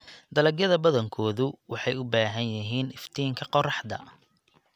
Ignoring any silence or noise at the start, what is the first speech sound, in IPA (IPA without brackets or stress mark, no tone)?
d̪